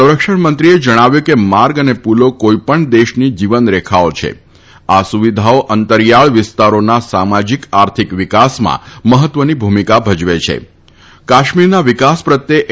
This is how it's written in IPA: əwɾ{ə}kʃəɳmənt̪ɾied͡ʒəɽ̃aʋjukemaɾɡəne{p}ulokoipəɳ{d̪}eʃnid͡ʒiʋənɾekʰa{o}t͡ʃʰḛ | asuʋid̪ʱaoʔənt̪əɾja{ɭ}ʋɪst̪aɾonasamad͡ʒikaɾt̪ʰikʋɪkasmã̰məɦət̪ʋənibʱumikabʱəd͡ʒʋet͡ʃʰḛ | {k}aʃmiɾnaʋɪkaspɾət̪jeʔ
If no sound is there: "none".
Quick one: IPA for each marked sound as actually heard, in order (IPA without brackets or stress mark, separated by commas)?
ə, p, d̪, o, ɭ, k